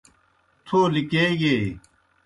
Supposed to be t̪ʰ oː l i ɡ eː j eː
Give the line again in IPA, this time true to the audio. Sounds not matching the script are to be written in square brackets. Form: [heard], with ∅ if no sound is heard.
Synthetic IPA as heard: t̪ʰ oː l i [k] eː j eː